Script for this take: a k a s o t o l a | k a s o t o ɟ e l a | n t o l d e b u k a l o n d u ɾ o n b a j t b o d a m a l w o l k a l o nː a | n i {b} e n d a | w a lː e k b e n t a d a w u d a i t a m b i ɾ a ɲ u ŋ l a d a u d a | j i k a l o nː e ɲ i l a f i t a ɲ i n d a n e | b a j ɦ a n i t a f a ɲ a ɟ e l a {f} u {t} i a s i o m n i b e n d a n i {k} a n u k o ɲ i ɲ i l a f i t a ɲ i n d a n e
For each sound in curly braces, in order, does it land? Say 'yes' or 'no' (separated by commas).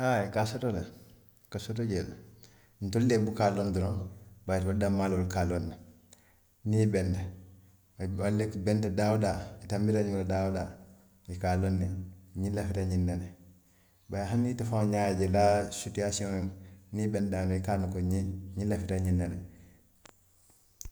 yes, no, yes, yes